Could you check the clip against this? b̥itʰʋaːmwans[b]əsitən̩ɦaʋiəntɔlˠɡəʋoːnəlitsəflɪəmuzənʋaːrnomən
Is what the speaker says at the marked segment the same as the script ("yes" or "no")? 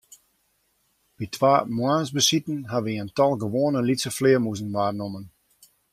yes